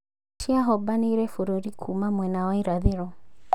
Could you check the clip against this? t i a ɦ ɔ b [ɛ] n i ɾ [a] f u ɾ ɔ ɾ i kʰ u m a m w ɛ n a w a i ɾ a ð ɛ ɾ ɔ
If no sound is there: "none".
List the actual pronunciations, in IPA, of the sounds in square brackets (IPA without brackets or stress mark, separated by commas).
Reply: a, ɛ